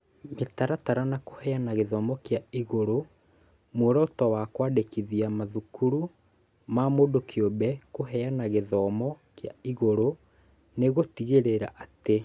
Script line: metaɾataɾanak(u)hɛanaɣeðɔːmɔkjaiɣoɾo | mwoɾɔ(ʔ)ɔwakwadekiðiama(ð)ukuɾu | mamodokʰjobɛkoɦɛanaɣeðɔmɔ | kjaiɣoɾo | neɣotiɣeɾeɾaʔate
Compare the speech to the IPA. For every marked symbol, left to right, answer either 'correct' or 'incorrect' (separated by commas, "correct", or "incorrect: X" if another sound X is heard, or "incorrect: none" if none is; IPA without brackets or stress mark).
incorrect: o, incorrect: t, correct